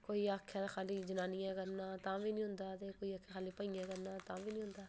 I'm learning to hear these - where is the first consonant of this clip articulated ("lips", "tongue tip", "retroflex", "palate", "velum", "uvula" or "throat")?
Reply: velum